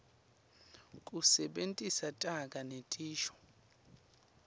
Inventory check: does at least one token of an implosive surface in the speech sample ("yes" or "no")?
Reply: yes